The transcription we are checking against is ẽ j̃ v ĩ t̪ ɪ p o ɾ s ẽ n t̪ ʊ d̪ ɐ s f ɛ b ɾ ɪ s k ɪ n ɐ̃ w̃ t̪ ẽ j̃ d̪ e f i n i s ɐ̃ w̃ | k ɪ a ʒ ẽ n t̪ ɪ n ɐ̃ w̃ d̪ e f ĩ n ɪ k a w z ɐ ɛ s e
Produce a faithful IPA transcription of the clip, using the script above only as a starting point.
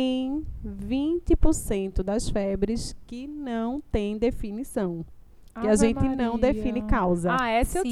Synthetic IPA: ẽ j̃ v ĩ t̪ ɪ p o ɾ s ẽ n t̪ ʊ d̪ ɐ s f ɛ b ɾ ɪ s k ɪ n ɐ̃ w̃ t̪ ẽ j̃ d̪ e f i n i s ɐ̃ w̃ | k ɪ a ʒ ẽ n t̪ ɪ n ɐ̃ w̃ d̪ e f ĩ n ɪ k a w z ɐ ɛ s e